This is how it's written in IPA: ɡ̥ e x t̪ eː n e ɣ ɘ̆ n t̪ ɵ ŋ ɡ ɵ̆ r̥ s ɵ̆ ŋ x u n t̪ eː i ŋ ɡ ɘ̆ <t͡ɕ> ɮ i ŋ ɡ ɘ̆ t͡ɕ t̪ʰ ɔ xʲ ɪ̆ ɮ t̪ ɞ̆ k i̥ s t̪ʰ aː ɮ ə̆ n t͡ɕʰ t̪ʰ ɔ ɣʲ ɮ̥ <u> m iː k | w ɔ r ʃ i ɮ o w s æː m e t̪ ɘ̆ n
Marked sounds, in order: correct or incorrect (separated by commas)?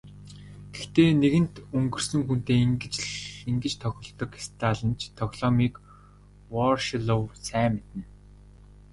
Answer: correct, incorrect